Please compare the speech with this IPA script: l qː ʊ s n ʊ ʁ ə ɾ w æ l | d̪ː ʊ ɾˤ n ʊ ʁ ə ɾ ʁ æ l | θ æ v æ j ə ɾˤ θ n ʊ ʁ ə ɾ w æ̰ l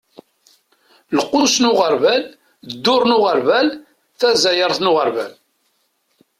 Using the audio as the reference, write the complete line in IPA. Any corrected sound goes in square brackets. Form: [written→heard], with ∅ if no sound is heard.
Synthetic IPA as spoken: l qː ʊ s n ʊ ʁ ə ɾ [w→v] æ l | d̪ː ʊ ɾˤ n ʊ ʁ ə ɾ [ʁ→v] æ l | θ æ [v→z] æ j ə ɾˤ θ n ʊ ʁ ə ɾ [w→v] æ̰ l